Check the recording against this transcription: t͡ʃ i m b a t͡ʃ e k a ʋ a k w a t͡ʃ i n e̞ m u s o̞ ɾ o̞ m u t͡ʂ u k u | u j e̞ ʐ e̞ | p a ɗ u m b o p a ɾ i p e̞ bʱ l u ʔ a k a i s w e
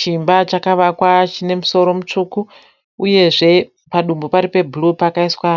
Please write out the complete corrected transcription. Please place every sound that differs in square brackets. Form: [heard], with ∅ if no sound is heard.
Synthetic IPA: t͡ʃ i m b a t͡ʃ [a] k a ʋ a k w a t͡ʃ i n e̞ m u s o̞ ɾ o̞ m u t͡ʂ u k u | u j e̞ ʐ e̞ | p a ɗ u m b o p a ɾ i p e̞ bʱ l u [p] a k a i s w [a]